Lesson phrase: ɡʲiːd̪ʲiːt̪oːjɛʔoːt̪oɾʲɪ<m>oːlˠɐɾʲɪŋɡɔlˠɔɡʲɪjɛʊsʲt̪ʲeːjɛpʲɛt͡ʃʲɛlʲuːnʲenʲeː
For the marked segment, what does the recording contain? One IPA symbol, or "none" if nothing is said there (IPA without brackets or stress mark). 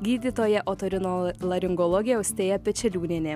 n